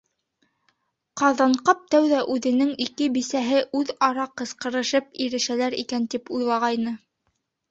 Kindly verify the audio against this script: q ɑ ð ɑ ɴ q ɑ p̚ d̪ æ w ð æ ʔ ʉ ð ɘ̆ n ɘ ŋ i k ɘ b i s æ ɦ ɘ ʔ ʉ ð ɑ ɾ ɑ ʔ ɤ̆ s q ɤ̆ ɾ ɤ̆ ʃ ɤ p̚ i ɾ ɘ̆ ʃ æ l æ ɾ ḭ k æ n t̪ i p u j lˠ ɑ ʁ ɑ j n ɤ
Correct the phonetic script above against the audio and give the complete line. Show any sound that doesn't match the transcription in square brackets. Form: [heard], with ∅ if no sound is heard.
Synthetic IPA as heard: q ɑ ð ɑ ɴ q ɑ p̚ [t̪] æ w ð æ ʔ ʉ ð ɘ̆ n ɘ ŋ i k ɘ b i s æ ɦ ɘ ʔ ʉ ð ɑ ɾ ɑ [q] ɤ̆ s q ɤ̆ ɾ ɤ̆ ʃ ɤ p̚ i ɾ ɘ̆ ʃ æ l æ ɾ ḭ k æ n t̪ i p u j lˠ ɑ ʁ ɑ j n ɤ